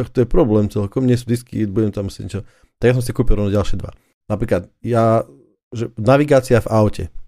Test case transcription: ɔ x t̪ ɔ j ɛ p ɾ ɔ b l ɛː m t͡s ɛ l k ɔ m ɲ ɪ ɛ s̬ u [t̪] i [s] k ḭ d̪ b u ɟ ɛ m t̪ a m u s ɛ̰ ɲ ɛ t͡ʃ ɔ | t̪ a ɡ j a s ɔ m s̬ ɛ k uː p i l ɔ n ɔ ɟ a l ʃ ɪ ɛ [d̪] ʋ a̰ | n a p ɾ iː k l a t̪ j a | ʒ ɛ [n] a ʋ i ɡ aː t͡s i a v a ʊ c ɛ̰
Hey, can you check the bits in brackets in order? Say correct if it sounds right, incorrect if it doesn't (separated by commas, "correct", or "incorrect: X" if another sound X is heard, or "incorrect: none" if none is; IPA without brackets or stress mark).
incorrect: d̪, correct, correct, correct